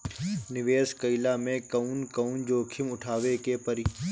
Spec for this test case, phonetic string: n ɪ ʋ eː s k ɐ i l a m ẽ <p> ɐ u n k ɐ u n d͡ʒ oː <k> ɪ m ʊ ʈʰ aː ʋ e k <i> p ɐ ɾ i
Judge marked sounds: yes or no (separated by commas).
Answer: no, no, no